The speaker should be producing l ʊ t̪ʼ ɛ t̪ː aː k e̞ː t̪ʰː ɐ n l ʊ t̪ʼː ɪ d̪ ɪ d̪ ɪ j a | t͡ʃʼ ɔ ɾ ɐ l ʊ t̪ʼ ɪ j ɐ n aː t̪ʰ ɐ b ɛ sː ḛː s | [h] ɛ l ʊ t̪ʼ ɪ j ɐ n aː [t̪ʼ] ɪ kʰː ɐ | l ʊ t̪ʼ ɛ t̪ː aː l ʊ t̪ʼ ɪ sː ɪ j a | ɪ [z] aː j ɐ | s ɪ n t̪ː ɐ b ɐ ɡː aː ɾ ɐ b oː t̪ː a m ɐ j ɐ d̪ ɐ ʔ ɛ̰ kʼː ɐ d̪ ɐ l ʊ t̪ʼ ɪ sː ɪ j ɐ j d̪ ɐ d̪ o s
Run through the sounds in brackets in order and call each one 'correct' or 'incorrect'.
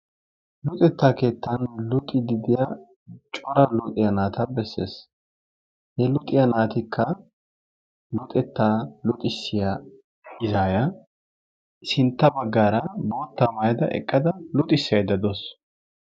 correct, incorrect, correct

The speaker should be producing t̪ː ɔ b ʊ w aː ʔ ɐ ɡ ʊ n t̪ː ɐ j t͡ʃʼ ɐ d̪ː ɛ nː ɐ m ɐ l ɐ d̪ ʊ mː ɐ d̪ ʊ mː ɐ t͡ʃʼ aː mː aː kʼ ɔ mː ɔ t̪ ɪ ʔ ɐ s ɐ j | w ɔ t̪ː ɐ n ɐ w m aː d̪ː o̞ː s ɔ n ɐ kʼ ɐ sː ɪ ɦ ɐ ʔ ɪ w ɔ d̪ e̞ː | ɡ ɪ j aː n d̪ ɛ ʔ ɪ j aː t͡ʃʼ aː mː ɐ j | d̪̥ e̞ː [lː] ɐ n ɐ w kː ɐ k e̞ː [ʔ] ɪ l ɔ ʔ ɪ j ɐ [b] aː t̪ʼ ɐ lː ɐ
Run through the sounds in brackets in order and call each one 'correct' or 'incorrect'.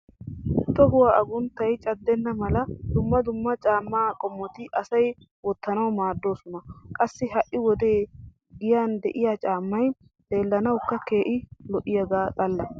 correct, correct, incorrect

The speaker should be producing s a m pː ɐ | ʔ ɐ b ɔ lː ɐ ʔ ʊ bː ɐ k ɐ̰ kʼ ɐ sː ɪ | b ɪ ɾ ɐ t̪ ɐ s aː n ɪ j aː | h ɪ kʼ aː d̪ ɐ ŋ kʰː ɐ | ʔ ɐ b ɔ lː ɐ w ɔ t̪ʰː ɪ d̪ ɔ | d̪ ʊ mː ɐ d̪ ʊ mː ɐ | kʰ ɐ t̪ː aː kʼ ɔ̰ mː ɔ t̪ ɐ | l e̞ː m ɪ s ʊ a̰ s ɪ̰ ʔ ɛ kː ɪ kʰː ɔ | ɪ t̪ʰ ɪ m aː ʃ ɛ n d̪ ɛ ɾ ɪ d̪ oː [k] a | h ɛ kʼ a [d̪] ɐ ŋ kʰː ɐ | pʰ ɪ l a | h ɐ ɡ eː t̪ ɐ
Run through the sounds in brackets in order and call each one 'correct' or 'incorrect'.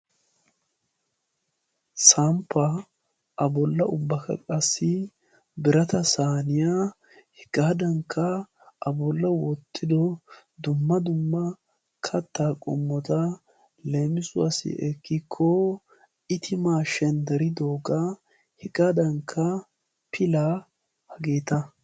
incorrect, correct

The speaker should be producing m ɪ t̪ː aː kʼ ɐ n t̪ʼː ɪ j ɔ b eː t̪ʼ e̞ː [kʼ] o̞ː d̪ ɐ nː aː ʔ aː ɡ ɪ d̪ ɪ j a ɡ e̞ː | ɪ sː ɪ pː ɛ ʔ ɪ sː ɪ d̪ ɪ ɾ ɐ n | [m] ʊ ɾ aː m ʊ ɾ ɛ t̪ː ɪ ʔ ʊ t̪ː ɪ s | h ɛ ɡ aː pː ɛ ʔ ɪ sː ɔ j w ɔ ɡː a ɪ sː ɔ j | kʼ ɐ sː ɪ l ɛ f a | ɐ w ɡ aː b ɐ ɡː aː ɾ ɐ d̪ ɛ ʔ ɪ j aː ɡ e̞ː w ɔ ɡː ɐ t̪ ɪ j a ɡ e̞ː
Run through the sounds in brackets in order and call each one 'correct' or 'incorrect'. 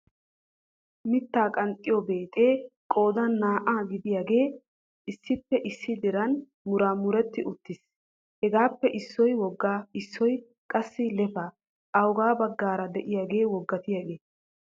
correct, correct

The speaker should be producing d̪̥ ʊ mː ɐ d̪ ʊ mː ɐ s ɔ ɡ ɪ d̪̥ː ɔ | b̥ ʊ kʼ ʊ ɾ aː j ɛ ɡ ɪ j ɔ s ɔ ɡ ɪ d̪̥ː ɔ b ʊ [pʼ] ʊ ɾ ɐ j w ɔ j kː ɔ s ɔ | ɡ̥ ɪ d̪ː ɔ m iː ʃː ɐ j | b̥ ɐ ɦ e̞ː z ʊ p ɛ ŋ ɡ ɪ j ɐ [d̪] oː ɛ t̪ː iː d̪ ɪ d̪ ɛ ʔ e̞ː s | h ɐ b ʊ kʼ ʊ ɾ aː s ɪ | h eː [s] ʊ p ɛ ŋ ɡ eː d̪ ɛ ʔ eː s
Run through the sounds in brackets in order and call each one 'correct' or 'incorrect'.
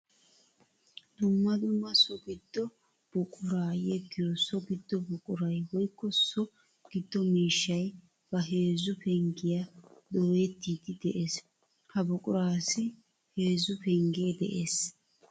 incorrect, correct, incorrect

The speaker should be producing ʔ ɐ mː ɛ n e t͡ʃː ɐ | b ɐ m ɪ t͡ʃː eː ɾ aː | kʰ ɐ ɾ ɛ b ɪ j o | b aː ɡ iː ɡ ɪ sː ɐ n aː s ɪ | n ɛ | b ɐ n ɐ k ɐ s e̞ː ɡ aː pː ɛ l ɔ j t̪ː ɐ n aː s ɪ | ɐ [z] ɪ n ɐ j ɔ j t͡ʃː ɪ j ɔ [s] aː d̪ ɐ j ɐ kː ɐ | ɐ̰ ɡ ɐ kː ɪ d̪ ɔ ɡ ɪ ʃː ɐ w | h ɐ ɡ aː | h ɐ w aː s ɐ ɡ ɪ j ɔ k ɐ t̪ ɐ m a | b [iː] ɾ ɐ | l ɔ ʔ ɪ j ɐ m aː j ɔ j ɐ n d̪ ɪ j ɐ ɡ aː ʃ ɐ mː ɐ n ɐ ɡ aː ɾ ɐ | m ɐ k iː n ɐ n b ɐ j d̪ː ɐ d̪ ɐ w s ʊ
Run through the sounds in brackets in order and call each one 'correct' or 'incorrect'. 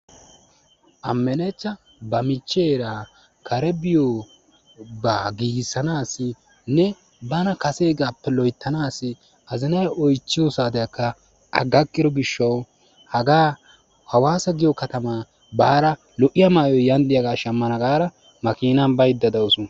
correct, correct, incorrect

